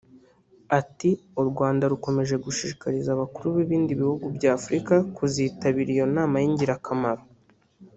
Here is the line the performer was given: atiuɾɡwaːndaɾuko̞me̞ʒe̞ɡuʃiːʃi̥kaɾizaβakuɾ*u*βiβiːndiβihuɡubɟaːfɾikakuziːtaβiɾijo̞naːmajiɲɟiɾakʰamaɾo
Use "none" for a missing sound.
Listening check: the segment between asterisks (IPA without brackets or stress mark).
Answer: u